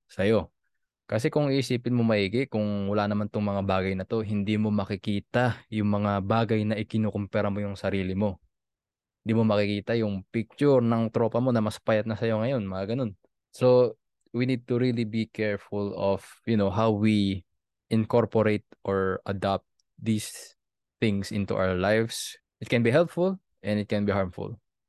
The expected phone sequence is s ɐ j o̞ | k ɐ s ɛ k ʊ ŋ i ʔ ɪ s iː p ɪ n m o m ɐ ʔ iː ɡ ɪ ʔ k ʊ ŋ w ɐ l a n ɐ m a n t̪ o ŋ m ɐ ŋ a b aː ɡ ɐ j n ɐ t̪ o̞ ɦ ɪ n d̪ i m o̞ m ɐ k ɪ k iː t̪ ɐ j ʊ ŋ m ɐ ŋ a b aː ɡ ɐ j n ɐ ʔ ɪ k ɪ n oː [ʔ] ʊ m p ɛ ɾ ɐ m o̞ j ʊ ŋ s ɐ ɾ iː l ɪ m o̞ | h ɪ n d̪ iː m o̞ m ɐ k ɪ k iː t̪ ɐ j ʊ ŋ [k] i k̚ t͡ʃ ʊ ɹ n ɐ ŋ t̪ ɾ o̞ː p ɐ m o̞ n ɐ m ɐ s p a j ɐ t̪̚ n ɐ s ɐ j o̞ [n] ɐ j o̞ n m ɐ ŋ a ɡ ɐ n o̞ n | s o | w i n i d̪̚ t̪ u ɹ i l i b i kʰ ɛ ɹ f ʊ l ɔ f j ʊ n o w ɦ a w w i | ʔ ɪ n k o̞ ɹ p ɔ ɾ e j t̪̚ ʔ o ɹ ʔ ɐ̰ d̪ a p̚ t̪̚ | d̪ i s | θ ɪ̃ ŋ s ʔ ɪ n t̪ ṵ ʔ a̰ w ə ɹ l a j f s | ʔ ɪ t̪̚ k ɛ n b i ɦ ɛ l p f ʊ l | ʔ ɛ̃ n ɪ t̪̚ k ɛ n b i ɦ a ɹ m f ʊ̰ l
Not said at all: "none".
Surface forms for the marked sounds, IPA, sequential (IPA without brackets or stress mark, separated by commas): k, p, ŋ